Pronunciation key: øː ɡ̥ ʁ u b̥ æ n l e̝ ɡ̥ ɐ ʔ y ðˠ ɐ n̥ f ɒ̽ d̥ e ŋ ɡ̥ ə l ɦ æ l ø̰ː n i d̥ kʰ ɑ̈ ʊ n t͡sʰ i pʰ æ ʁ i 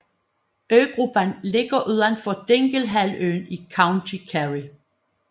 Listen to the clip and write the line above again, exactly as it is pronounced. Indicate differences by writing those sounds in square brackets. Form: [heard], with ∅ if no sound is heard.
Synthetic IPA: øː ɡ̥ ʁ u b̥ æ n l e̝ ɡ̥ ɐ ʔ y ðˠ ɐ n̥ f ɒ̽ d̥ e ŋ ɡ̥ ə l ɦ æ l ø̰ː n i [∅] kʰ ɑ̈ ʊ n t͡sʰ i [kʰ] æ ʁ i